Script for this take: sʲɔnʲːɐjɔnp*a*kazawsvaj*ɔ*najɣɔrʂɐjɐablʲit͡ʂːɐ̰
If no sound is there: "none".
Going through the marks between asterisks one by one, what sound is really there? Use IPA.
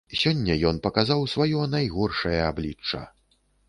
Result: ɐ, ɔ

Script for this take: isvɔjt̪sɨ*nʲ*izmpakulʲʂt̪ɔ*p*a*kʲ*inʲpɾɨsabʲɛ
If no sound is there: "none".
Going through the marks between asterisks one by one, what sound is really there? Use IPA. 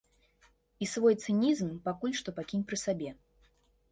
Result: nʲ, p, kʲ

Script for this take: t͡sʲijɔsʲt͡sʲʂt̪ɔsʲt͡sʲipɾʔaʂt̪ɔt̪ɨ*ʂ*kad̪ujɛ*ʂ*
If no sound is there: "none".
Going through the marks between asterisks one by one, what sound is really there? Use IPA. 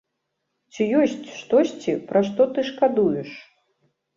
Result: ʂ, ʂ

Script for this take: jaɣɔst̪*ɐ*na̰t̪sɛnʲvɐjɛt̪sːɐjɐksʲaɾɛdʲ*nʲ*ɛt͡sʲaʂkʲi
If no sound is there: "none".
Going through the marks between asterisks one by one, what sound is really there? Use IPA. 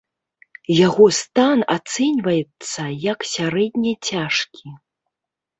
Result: a, nʲ

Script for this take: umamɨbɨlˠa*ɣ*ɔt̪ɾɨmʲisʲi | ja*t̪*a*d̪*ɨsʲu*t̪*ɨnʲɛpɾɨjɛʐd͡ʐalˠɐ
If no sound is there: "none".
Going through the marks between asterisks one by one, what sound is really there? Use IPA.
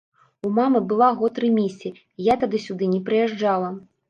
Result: ɣ, t̪, d̪, d̪

